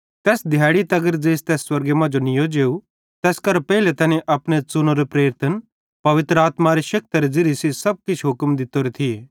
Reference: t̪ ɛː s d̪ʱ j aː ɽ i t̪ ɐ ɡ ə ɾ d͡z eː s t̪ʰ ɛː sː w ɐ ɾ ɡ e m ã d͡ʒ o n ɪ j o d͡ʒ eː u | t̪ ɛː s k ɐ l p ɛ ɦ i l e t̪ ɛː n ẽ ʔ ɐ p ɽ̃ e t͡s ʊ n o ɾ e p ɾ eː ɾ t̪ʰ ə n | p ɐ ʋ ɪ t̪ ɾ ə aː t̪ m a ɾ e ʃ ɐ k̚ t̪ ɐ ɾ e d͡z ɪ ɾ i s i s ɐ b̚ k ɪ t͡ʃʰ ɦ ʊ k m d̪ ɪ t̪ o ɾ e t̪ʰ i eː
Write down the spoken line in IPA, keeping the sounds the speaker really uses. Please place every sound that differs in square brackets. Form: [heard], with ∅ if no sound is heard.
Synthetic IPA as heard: t̪ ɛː s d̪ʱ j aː ɽ i t̪ ɐ ɡ ə ɾ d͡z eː s [t̪] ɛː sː w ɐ ɾ ɡ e m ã d͡ʒ o n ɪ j o d͡ʒ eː u | t̪ ɛː s k ɐ [ɾ] p ɛ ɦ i l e t̪ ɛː n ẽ ʔ ɐ p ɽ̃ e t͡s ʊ n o ɾ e p ɾ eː ɾ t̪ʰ ə n | p ɐ ʋ ɪ t̪ ɾ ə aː t̪ m a ɾ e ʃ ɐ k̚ t̪ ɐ ɾ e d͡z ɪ ɾ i s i s ɐ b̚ k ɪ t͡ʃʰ ɦ ʊ k m d̪ ɪ t̪ o ɾ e t̪ʰ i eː